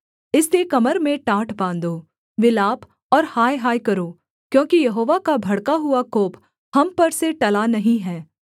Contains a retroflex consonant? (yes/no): yes